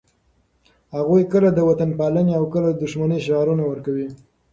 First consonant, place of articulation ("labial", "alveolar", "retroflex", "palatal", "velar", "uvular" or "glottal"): glottal